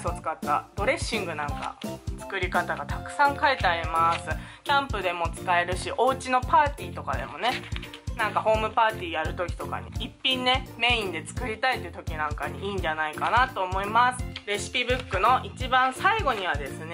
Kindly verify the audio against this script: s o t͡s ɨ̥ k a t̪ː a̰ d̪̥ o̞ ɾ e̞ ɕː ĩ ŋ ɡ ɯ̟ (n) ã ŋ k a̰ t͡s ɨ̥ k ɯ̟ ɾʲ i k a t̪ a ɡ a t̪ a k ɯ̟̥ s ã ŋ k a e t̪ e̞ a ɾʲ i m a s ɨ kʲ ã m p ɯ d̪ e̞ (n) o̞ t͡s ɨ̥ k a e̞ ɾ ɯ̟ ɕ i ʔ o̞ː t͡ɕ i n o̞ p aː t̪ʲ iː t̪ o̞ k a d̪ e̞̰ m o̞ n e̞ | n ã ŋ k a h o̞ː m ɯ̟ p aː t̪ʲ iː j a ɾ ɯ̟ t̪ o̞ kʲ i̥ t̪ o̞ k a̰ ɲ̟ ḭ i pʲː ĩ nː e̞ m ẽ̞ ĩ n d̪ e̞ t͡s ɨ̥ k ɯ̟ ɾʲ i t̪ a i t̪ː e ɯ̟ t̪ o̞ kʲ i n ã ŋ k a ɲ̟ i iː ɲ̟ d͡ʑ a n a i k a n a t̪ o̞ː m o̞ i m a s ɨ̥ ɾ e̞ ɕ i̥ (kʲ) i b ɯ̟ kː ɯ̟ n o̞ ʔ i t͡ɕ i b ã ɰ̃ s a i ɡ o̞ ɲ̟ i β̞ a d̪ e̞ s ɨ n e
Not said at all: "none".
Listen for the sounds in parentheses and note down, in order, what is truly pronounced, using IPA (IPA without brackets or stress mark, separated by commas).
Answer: n, m, pʲ